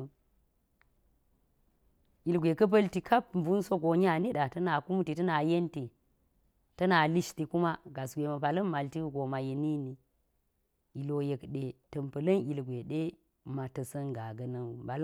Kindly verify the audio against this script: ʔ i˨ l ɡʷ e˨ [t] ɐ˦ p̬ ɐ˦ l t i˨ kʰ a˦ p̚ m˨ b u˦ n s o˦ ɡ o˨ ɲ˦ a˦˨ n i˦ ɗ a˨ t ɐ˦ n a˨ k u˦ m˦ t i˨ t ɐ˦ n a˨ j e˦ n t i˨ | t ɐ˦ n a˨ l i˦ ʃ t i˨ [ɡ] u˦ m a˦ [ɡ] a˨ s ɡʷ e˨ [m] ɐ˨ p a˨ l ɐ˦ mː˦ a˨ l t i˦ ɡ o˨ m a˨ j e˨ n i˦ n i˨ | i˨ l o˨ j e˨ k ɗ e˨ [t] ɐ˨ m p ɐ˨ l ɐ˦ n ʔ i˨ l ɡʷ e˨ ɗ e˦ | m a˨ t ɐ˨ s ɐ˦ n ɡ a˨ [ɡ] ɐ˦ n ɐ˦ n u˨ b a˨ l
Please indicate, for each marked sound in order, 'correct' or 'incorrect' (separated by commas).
incorrect, incorrect, correct, correct, correct, correct